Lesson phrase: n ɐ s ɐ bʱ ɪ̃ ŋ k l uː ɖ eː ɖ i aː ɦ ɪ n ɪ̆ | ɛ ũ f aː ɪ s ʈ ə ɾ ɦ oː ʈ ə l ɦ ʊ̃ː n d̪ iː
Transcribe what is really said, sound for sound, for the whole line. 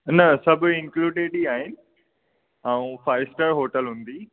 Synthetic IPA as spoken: n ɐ s ɐ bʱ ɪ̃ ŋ k l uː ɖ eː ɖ i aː ɦ ɪ n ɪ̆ | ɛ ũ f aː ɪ s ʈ ə ɾ ɦ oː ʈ ə l ɦ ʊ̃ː n d̪ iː

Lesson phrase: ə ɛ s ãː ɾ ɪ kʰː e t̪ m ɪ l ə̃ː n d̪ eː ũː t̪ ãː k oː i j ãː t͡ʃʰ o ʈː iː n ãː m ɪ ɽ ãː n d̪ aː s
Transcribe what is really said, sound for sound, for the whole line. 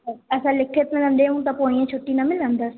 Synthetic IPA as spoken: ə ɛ s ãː l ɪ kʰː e t̪ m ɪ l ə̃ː n d̪ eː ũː t̪ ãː p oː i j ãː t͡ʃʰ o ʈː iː n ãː m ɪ l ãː n d̪ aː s

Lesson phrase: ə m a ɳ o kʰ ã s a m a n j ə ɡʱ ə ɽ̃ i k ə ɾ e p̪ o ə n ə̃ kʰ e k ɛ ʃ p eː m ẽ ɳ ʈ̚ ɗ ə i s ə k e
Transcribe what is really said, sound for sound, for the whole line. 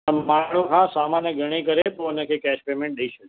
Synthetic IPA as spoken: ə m a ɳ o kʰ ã s a m a n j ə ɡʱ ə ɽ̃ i k ə ɾ e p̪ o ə n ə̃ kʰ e k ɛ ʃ p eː m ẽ ɳ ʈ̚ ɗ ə i ʃ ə k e

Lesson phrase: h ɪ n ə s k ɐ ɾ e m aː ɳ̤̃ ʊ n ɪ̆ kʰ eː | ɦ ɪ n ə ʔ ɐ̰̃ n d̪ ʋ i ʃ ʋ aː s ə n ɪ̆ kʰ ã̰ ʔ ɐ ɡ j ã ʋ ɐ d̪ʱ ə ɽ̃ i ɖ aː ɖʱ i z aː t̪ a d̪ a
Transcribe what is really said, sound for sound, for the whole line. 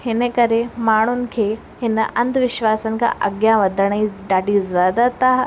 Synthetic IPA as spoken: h ɪ n ə k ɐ ɾ e m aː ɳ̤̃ ʊ n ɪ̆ kʰ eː | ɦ ɪ n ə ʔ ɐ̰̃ n d̪ ʋ ɪ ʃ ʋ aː s ə n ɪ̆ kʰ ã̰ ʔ ɐ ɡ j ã ʋ ɐ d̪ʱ ə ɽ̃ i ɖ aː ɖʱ i z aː d̪ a t̪ a

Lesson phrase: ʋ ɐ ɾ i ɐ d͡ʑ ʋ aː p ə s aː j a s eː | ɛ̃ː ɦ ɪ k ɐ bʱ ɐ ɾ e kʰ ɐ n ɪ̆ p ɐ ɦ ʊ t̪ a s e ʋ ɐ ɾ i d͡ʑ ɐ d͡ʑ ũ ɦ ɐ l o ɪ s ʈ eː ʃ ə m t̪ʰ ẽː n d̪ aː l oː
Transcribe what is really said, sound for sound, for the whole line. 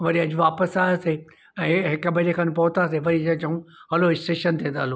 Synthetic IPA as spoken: ʋ ɐ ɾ i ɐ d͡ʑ ʋ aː p ə s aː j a s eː | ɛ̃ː ɦ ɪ k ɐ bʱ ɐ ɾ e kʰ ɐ n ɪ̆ p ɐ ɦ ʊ t̪ a s e ʋ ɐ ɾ i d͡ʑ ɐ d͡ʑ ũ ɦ ɐ l o ɪ s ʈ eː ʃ ə n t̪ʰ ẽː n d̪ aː l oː

